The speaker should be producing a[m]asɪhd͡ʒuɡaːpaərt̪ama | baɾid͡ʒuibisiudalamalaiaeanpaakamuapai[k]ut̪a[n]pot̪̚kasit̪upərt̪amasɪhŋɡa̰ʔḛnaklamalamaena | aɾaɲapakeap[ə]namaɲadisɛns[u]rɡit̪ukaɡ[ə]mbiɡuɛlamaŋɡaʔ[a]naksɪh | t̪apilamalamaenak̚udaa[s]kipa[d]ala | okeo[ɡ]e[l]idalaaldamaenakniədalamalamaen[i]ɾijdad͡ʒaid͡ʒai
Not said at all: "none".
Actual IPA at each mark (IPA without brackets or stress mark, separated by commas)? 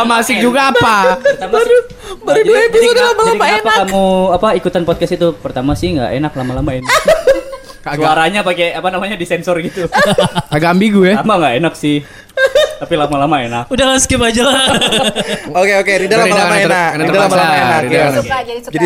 m, k, n, a, ɔ, a, e, s, d͡ʒ, k, ɾ, a